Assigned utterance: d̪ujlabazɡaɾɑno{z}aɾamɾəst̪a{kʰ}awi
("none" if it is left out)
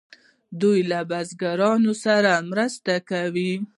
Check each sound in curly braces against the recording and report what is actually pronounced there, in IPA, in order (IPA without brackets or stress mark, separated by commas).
s, k